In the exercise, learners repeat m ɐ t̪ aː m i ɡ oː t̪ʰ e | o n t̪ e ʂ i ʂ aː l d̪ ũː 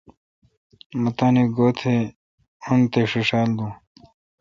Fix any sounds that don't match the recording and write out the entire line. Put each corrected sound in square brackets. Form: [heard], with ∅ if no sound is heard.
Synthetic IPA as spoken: m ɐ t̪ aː [n] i ɡ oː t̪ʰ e | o n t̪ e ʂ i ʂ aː l d̪ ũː